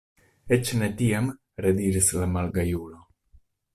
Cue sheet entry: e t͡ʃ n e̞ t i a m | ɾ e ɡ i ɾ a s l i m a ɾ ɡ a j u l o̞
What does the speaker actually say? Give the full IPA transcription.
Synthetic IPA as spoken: e t͡ʃ n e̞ t i a m | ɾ e d i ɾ i s l a m a l ɡ a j u l o̞